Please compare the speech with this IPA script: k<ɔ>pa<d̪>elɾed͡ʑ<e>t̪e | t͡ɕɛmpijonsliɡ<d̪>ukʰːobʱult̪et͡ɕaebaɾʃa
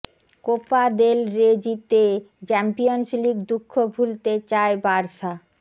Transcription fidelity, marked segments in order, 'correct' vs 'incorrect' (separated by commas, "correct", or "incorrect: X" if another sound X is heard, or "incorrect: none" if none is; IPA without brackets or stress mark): incorrect: o, correct, incorrect: i, correct